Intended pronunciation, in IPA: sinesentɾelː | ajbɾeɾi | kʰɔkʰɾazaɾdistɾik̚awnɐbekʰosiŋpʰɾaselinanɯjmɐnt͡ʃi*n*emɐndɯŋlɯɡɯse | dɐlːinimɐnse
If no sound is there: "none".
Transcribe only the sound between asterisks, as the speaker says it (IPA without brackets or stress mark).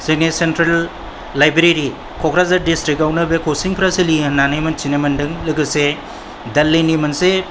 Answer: n